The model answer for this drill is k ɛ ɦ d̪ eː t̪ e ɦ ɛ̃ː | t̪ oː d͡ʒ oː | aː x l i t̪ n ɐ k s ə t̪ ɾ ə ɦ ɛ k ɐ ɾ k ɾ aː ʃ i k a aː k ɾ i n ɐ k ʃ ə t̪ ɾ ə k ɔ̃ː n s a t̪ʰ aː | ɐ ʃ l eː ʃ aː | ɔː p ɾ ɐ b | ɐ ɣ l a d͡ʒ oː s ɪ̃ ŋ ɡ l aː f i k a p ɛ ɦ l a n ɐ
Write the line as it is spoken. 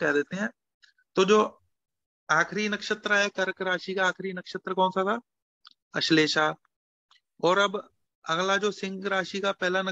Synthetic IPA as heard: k ɛ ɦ d̪ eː t̪ e ɦ ɛ̃ː | t̪ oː d͡ʒ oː | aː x ɾ i n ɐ k ʃ ə t̪ ɾ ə ɦ ɛ k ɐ ɾ k ɾ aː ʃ i k a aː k ɾ i n ɐ k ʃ ə t̪ ɾ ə k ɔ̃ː n s a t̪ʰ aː | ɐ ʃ l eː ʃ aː | ɔː ɾ ɐ b | ɐ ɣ l a d͡ʒ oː s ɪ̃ ŋ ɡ ɾ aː ʃ i k a p ɛ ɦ l a n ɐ